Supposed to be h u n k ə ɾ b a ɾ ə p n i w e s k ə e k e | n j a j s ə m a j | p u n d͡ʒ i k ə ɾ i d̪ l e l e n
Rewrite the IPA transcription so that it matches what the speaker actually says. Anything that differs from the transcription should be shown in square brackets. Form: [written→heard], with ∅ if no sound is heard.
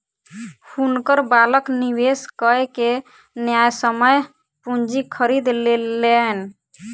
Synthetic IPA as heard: h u n k ə ɾ b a [ɾ→l] ə [p→k] n i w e s k ə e k e | n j a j s ə m [a→ə] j | p u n d͡ʒ i [k→kʰ] ə ɾ i d̪ l e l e n